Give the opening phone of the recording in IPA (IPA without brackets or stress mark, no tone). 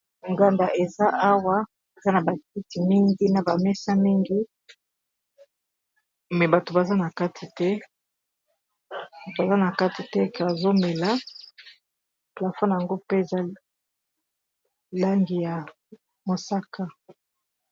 ŋ